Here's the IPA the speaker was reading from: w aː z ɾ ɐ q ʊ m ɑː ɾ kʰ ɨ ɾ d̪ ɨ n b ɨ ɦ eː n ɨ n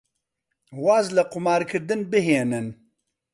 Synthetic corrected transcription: w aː z l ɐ q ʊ m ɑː ɾ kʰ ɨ ɾ d̪ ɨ n b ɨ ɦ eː n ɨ n